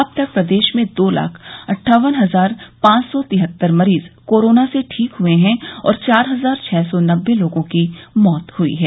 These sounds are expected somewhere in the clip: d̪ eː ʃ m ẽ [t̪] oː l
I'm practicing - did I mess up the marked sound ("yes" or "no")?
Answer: yes